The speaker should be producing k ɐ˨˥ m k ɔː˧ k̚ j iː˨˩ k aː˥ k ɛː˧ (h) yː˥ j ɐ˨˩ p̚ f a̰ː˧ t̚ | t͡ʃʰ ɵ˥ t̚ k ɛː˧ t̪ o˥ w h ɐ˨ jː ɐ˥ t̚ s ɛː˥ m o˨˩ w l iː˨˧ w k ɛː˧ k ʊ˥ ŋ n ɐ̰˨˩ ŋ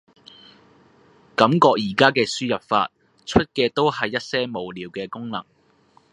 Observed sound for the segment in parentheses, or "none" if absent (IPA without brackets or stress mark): s